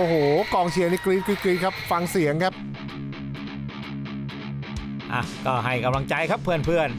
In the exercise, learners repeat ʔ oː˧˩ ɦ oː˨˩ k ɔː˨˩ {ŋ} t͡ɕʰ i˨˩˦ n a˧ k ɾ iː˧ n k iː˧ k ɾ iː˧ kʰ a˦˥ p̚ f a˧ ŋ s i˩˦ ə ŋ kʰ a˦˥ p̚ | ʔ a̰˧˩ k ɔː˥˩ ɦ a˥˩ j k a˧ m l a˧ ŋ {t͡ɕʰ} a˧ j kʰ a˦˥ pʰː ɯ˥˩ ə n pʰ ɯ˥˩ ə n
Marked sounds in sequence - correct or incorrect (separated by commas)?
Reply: correct, incorrect